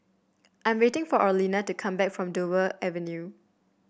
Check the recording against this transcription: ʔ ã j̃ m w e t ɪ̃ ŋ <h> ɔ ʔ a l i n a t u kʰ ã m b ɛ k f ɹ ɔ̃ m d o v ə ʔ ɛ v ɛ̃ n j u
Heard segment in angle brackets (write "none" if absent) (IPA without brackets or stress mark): f